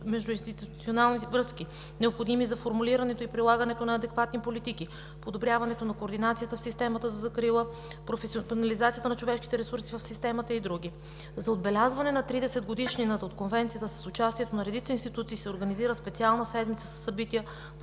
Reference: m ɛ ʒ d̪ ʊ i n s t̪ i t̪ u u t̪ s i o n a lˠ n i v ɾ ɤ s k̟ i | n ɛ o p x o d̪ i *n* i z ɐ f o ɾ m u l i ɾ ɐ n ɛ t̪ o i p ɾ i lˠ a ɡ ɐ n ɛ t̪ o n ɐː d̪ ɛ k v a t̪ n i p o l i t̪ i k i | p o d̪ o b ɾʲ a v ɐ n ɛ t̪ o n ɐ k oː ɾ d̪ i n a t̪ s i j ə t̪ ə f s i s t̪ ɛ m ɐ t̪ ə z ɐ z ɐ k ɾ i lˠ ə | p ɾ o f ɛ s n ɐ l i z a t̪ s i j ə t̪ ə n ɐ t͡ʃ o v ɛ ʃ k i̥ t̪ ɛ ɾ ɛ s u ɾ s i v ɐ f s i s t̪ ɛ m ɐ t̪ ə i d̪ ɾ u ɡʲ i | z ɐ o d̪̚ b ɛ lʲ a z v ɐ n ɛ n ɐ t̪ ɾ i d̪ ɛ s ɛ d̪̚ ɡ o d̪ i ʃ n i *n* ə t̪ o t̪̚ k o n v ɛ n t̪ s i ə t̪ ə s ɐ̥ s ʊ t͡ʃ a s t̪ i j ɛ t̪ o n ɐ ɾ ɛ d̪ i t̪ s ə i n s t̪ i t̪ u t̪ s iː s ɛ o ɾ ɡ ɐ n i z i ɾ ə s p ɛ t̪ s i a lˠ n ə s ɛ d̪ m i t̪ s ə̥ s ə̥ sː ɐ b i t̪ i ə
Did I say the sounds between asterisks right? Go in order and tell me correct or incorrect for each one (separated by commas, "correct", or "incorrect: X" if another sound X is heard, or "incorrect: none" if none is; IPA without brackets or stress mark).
incorrect: m, correct